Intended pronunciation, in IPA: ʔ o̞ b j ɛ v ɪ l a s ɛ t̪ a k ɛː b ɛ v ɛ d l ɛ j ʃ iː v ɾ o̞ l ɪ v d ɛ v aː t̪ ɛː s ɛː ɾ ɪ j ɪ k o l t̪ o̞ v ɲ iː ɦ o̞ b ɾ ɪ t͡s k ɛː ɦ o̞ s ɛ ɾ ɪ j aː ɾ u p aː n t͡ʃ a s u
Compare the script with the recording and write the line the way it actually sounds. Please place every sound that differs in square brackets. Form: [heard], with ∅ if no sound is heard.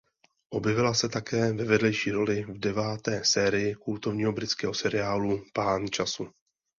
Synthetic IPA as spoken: ʔ o̞ b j ɛ v ɪ l a s ɛ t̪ a k ɛː [v] ɛ v ɛ d l ɛ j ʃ iː [∅] ɾ o̞ l ɪ v d ɛ v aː t̪ ɛː s ɛː ɾ ɪ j ɪ k [u] l t̪ o̞ v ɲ iː ɦ o̞ b ɾ ɪ t͡s k ɛː ɦ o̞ s ɛ ɾ ɪ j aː [l] u p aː n t͡ʃ a s u